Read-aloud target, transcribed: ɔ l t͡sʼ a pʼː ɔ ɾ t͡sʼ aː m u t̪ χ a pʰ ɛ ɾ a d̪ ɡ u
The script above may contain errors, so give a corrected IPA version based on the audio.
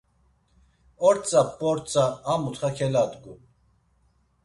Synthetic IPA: ɔ ɾ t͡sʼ a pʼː ɔ ɾ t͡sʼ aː m u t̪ χ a kʰ ɛ l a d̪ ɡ u